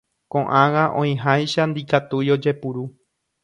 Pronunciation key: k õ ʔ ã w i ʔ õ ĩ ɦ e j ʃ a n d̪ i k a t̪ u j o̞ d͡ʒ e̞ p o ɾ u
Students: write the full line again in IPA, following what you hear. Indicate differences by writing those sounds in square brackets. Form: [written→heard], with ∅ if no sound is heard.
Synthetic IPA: k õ ʔ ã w [i→a] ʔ õ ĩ ɦ [e→a] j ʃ a n d̪ i k a t̪ u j o̞ d͡ʒ e̞ p [o→u] ɾ u

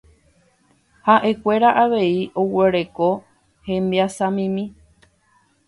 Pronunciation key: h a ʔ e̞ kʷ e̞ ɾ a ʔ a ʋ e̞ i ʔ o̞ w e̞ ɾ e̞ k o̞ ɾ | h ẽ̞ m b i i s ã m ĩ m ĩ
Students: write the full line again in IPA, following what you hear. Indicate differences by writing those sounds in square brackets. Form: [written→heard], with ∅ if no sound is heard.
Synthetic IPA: h a ʔ e̞ kʷ e̞ ɾ a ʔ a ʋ e̞ i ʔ o̞ w e̞ ɾ e̞ k o̞ [ɾ→∅] | h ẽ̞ m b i [i→a] s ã m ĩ m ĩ

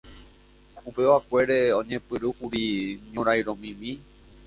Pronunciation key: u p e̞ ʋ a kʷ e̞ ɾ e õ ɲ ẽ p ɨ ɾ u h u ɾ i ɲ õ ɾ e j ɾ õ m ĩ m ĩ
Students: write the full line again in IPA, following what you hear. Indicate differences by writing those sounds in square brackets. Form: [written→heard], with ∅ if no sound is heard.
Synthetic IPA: u p e̞ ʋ a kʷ e̞ ɾ e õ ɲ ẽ p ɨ ɾ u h u ɾ i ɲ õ ɾ [e→a] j ɾ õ m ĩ m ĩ

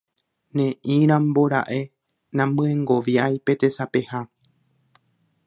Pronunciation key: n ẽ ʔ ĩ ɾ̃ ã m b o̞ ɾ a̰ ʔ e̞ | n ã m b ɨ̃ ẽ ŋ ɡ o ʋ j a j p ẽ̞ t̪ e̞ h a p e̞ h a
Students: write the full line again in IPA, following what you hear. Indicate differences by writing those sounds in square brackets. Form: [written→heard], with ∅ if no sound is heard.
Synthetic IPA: n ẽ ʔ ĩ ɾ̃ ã m b o̞ ɾ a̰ ʔ e̞ | n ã m b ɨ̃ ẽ ŋ ɡ o ʋ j a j p [ẽ̞→e̞] t̪ e̞ [h→s] a p e̞ h a

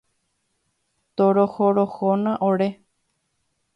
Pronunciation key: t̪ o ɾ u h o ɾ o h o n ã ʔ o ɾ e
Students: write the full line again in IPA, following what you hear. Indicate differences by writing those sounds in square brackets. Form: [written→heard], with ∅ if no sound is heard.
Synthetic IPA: t̪ o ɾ [u→o] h o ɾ o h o n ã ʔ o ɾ e

